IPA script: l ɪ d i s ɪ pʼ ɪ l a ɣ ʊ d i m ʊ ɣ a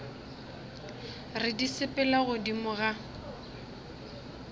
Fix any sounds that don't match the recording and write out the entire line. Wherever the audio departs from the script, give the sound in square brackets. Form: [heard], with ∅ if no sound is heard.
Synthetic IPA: [r] ɪ d i s ɪ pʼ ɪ l a ɣ ʊ d i m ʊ ɣ a